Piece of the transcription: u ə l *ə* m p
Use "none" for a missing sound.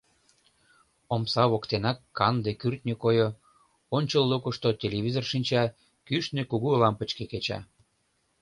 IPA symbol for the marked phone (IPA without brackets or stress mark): ɑ